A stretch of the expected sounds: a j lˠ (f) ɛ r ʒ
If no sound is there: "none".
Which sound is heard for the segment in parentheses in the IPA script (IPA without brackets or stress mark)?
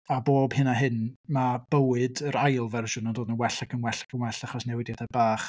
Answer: v